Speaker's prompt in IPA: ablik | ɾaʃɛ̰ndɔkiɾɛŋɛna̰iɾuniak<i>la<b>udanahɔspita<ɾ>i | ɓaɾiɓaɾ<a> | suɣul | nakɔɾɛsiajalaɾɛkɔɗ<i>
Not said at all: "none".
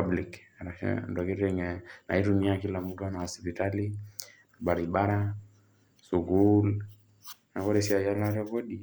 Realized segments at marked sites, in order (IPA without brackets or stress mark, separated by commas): i, m, l, a, i